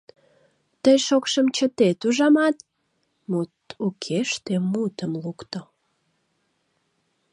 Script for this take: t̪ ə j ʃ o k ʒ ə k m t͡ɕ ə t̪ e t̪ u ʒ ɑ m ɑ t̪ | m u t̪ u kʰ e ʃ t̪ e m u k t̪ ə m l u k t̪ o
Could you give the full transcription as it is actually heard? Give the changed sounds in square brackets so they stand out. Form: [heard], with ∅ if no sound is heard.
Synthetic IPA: t̪ ə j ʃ o k [ʃ] ə [∅] m t͡ɕ ə t̪ e t̪ u ʒ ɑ m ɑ t̪ | m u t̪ u kʰ e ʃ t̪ e m u [∅] t̪ ə m l u k t̪ o